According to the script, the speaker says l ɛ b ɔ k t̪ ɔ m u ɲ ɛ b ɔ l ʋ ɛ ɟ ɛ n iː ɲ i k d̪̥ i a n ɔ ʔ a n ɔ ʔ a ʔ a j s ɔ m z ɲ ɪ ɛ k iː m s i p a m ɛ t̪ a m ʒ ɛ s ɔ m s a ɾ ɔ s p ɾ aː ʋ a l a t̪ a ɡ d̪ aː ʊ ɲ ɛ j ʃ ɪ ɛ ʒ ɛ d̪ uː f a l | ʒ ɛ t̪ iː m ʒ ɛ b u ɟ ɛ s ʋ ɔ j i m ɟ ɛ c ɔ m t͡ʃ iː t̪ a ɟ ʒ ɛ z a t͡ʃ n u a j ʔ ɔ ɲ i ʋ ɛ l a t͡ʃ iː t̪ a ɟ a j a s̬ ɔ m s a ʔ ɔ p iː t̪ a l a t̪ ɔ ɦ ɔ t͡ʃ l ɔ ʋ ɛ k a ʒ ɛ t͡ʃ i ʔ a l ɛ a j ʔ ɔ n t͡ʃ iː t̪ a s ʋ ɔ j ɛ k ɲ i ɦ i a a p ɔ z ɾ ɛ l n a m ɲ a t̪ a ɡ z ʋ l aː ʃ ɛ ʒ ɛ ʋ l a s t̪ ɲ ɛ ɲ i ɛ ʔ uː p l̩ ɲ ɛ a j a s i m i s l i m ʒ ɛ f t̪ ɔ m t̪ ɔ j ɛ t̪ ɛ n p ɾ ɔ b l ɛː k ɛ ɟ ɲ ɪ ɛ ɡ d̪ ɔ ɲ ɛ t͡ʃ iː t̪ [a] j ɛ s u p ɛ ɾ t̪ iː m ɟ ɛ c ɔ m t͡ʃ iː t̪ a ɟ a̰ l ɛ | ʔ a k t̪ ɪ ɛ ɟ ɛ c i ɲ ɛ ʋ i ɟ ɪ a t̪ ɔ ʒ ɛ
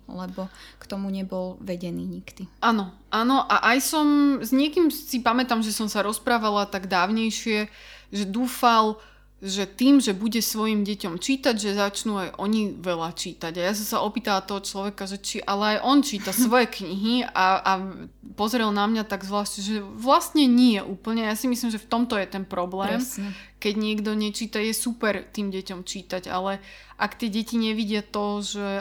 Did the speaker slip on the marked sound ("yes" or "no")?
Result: no